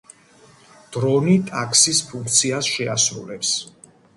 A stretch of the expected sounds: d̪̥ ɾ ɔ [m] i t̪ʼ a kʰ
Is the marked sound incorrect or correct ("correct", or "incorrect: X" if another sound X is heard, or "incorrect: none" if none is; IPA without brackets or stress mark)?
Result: incorrect: n